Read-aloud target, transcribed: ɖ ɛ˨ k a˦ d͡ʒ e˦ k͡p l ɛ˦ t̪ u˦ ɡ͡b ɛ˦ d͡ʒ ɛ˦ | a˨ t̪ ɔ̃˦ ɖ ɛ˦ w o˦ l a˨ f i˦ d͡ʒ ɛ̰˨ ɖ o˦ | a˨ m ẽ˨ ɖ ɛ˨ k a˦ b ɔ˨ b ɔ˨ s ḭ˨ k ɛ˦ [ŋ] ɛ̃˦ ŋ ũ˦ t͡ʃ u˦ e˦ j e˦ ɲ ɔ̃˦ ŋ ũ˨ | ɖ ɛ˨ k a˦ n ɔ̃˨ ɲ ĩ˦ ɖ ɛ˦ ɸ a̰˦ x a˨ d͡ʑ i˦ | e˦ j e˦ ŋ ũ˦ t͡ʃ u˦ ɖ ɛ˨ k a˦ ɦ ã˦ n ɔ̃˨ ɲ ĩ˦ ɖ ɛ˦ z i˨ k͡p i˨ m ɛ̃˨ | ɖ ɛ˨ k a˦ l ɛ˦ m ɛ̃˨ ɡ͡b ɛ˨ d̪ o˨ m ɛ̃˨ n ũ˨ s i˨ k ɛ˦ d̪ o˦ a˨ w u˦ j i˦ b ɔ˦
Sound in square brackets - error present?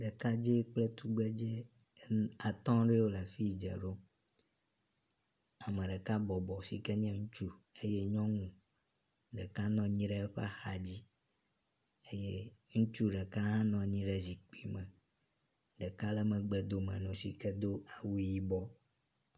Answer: yes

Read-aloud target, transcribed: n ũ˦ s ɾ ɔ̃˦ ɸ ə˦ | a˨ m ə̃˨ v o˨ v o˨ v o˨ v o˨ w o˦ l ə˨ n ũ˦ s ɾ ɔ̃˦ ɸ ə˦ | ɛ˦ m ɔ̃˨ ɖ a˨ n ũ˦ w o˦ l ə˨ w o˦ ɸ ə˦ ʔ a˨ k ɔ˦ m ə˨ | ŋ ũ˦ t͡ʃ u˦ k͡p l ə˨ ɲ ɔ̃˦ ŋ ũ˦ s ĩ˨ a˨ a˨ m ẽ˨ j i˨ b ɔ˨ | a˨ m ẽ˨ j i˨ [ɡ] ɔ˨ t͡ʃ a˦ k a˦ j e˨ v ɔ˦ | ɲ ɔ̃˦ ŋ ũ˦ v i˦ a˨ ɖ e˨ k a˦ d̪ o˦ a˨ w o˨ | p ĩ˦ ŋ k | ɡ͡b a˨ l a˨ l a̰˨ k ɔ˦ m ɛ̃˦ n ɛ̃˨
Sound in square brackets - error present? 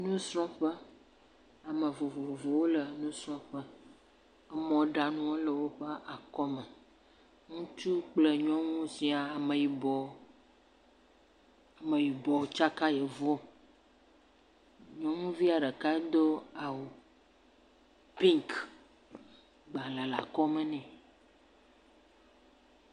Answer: yes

